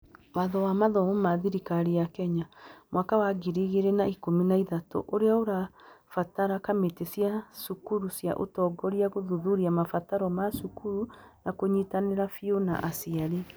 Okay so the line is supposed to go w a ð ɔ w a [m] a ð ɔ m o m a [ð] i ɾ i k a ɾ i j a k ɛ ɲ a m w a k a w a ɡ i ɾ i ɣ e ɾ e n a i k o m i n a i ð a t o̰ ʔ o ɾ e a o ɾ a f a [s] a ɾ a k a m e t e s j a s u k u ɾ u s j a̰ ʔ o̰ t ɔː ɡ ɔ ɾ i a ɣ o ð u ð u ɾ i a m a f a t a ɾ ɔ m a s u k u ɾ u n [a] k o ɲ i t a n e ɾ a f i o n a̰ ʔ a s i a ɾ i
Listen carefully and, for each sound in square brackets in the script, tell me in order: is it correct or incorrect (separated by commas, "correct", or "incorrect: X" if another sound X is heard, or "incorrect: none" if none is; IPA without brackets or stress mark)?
correct, correct, incorrect: t, correct